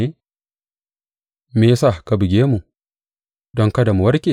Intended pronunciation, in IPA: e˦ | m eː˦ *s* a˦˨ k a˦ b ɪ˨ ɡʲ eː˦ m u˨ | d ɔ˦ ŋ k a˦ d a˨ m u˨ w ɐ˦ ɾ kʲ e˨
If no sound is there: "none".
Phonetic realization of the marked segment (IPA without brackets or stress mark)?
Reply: s